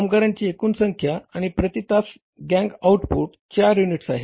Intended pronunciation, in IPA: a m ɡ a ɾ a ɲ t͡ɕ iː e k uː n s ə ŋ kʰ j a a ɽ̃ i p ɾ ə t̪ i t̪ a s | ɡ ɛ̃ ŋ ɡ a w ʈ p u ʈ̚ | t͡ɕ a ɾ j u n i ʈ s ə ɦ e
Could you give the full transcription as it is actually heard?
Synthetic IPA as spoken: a m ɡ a ɾ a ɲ t͡ɕ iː e k uː n s ə ŋ kʰ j a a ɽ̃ i p ɾ ə t̪ i t̪ a s | ɡ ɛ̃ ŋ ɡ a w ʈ p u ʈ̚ | t͡ɕ a ɾ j u n i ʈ s a ɦ e